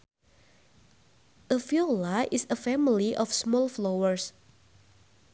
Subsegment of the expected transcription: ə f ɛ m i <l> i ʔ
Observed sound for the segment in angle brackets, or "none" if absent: l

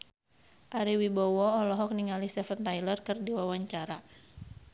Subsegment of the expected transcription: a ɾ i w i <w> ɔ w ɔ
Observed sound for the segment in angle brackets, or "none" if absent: b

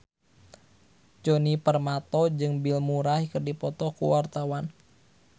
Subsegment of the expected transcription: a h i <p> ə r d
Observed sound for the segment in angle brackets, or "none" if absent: k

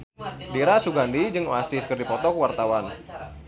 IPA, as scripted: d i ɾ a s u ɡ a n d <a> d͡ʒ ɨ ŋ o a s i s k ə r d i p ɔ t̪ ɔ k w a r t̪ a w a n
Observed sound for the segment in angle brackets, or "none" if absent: i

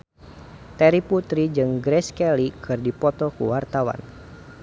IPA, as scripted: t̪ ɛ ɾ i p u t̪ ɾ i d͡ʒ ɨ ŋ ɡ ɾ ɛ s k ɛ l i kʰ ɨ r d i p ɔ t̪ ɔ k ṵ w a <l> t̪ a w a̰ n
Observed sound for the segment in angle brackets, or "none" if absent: r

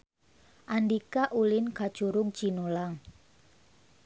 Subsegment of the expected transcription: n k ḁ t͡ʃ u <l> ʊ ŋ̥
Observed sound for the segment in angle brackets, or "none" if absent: ɾ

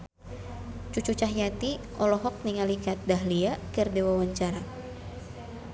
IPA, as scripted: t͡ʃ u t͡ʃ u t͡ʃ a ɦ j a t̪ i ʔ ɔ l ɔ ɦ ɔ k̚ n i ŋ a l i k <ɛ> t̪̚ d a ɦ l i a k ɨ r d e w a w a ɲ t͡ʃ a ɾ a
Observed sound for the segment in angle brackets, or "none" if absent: a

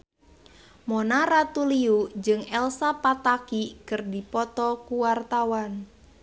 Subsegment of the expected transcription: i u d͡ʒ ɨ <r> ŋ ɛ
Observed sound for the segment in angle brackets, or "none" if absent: none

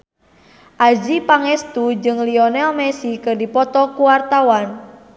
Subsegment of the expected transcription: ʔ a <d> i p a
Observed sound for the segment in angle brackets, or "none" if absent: d͡ʒ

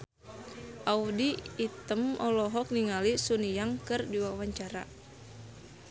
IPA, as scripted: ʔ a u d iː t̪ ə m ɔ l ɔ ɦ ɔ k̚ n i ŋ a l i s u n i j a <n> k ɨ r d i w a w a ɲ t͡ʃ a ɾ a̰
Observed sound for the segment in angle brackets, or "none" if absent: ŋ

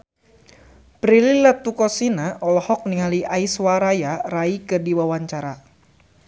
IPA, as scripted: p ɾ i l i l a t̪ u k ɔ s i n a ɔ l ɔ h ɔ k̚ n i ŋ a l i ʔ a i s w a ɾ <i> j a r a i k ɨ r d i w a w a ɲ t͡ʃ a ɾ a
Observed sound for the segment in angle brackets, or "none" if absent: a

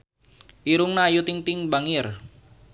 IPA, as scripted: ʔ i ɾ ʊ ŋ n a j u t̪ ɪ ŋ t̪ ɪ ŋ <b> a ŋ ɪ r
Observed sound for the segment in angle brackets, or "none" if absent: b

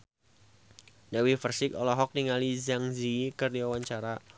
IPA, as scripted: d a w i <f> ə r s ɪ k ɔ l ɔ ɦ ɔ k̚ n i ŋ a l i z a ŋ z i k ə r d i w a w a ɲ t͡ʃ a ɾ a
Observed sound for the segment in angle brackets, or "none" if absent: f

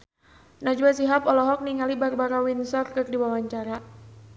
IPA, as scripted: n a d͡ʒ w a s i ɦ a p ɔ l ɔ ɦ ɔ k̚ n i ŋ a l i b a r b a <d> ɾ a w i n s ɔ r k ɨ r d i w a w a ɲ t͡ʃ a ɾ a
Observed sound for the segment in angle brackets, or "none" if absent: none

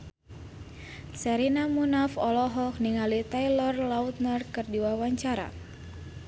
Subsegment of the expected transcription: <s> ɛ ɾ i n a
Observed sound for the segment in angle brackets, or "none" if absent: s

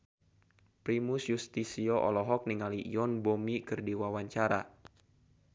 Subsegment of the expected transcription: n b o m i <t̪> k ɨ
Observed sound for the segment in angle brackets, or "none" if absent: none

